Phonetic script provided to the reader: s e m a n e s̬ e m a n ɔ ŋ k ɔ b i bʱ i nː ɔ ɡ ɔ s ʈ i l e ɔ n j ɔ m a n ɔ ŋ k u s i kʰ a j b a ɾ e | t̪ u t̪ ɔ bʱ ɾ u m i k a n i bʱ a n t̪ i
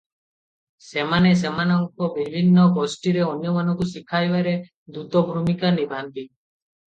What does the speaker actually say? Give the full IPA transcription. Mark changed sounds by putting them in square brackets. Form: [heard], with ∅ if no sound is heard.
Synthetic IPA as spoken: s e m a n e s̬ e m a n ɔ ŋ k ɔ b i bʱ i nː ɔ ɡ ɔ s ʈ i [ɾ] e ɔ n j ɔ m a n ɔ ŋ k u s i kʰ a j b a ɾ e | [d̪] u t̪ ɔ bʱ ɾ u m i k a n i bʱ a n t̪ i